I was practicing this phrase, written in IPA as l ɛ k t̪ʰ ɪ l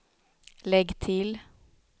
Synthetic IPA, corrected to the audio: l ɛ ɡ t̪ʰ ɪ l